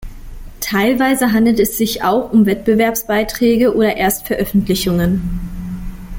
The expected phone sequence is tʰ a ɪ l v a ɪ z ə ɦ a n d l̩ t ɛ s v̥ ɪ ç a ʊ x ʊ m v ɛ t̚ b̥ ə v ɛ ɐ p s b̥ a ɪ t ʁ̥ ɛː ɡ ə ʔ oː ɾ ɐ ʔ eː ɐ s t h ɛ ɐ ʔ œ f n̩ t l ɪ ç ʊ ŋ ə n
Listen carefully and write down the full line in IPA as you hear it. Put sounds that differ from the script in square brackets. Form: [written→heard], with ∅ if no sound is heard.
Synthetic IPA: tʰ a ɪ l v a ɪ z ə ɦ a n d l̩ t ɛ s [v̥→z̥] ɪ ç a ʊ x ʊ m v ɛ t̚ b̥ ə v ɛ ɐ p s b̥ a ɪ t ʁ̥ ɛː ɡ ə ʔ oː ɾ ɐ ʔ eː ɐ s t [h→f] ɛ ɐ ʔ œ f n̩ t l ɪ ç ʊ ŋ ə n